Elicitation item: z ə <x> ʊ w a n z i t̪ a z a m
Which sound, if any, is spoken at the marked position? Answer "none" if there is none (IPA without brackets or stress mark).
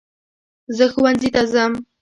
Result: x